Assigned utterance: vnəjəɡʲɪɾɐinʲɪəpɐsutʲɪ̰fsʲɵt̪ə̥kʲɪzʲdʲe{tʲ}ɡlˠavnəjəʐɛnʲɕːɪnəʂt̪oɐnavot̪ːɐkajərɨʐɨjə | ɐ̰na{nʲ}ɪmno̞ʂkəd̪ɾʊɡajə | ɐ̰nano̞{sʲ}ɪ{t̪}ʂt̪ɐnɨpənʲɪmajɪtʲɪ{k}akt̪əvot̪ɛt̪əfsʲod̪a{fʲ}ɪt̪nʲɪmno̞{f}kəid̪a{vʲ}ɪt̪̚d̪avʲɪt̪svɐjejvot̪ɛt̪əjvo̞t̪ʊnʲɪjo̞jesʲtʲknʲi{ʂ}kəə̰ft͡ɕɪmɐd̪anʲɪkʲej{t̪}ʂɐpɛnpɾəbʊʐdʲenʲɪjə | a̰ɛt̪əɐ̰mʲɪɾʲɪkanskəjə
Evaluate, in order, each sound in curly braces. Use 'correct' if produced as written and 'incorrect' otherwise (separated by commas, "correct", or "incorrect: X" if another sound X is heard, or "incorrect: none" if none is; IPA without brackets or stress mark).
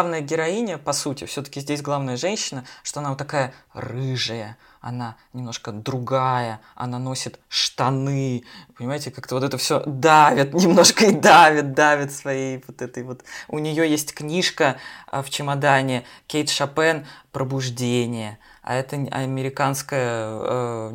incorrect: sʲ, correct, correct, correct, correct, incorrect: vʲ, incorrect: ʂ, correct, correct, correct